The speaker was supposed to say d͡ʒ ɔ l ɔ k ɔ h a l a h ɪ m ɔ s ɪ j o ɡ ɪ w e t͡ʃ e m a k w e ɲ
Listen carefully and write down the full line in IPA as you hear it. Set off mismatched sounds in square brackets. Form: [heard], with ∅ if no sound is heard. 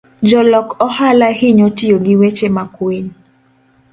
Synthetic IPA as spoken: d͡ʒ ɔ l ɔ k ɔ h a l a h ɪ [ɲ] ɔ [t] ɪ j o ɡ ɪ w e t͡ʃ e m a k w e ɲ